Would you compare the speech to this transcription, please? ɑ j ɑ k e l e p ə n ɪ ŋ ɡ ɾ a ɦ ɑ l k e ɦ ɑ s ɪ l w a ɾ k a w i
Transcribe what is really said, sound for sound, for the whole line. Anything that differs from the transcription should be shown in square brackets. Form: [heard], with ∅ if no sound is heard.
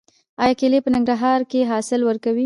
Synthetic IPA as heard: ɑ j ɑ k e l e p ə n ɪ ŋ ɡ ɾ a ɦ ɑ [ɾ] k e ɦ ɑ s ɪ l w [ə] ɾ k a w i